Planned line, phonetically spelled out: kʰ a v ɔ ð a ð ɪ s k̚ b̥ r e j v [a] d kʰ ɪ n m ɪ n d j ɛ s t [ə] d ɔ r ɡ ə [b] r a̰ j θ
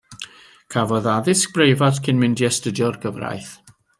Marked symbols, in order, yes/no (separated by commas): yes, yes, no